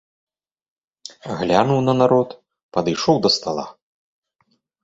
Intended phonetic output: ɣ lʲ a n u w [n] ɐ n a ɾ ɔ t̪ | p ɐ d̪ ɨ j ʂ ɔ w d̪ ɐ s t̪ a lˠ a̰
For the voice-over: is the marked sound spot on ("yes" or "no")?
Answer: yes